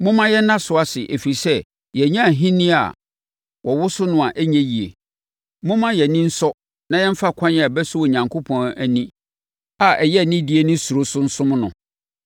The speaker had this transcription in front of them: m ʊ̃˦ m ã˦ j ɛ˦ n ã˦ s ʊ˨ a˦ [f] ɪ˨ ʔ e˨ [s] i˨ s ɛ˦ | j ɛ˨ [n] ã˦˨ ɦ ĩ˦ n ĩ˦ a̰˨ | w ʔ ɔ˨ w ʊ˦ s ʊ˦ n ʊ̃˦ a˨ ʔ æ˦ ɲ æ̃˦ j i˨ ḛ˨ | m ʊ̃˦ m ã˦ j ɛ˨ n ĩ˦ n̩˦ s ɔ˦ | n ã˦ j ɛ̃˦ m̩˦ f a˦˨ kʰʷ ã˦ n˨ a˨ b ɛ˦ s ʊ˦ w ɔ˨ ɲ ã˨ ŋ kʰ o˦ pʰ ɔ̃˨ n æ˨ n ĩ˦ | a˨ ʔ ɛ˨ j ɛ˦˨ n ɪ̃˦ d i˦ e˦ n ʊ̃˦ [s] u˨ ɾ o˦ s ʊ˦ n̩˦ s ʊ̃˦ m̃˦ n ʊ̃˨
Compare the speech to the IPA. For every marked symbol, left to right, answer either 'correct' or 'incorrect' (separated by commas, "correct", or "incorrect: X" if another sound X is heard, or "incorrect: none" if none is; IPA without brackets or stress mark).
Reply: incorrect: s, incorrect: f, incorrect: ɲ, correct